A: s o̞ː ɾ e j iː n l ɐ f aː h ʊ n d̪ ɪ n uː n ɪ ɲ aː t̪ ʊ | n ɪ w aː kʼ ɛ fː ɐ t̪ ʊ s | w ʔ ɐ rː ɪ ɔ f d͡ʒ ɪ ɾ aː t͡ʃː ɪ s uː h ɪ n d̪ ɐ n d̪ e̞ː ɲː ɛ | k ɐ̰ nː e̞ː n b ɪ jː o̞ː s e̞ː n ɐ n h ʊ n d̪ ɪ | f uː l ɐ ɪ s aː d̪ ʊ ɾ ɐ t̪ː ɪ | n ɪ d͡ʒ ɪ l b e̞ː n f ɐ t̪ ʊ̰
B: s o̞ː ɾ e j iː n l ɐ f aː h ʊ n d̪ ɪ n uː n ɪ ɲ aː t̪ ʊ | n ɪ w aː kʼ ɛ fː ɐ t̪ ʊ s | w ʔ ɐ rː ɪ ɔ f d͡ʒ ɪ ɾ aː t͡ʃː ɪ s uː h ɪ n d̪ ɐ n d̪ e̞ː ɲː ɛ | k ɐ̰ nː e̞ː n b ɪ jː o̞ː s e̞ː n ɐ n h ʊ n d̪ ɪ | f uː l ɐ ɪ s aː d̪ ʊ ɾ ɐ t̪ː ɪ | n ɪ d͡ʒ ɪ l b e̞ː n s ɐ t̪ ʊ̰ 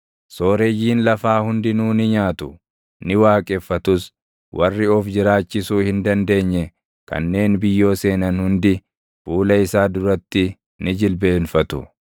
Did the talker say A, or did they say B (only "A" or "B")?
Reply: A